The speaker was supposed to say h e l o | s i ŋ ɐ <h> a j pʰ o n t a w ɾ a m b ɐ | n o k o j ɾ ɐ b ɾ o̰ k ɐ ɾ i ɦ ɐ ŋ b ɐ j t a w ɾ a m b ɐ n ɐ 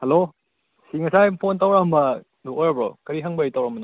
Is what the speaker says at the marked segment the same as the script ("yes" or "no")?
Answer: no